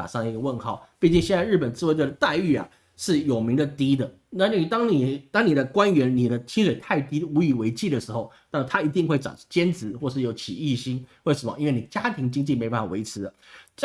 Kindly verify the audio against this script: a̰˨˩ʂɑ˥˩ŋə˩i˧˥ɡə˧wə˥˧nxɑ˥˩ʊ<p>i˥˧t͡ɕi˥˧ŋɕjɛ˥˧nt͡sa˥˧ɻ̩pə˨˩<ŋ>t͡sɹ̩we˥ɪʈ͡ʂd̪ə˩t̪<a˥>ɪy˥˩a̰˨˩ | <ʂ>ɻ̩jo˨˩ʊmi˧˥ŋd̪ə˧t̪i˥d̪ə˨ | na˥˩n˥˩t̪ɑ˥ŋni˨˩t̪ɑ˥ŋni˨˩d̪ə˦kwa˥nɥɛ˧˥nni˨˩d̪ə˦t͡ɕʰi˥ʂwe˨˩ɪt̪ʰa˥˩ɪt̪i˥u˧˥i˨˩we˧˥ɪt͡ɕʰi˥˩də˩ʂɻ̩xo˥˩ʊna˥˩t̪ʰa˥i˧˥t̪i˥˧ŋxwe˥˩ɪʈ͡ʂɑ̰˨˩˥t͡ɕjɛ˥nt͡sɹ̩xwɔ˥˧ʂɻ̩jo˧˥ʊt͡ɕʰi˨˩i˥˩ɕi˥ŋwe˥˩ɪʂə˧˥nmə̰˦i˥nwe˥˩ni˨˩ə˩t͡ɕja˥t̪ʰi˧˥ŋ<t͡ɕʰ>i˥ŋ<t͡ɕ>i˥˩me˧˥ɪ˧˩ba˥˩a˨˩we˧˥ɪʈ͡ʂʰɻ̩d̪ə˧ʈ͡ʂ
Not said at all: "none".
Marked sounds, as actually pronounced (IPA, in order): p, n, a˥˧, ʂ, t͡ɕ, t͡ɕ

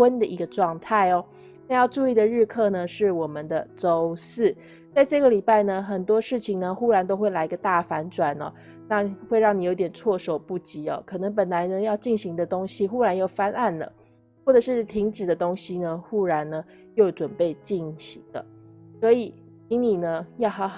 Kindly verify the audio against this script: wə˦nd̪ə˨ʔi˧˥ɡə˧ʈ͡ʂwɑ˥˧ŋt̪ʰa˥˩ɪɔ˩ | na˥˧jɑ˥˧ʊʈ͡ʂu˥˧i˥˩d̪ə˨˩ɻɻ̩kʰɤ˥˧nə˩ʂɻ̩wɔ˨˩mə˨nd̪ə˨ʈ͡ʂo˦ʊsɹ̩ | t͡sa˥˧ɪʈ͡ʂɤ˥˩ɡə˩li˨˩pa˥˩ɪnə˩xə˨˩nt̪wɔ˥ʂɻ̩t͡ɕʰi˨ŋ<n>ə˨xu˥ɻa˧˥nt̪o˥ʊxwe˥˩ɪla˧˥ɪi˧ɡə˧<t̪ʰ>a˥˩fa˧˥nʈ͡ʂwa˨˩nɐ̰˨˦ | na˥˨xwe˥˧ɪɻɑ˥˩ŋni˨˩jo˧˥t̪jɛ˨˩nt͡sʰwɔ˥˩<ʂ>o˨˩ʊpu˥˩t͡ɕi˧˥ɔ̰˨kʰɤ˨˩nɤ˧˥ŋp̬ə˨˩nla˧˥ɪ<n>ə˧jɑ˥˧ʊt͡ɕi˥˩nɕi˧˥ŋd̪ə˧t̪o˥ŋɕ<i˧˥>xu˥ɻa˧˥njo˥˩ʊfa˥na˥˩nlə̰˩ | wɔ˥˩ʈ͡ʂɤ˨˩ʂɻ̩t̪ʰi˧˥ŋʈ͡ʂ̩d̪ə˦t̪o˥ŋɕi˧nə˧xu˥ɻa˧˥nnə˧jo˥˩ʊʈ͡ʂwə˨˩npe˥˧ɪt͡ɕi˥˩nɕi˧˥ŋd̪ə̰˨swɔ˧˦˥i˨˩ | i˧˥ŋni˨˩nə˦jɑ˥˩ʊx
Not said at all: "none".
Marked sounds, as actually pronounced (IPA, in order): n, t̪, ʂ, n, i˧

